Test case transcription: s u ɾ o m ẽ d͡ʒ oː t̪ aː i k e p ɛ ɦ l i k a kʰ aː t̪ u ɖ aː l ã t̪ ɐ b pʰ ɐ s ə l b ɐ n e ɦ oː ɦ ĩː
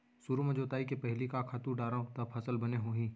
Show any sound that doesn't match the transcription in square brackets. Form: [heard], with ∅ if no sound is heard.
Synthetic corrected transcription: s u ɾ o m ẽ d͡ʒ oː t̪ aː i k e p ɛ ɦ l i k a kʰ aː t̪ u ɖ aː [ɾ] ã t̪ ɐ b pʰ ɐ s ə l b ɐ n e ɦ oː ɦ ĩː